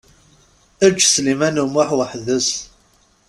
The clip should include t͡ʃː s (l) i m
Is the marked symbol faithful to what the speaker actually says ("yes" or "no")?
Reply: yes